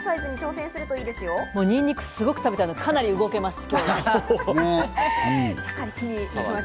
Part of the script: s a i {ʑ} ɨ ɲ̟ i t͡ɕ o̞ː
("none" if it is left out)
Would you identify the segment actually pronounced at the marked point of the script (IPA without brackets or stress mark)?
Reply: z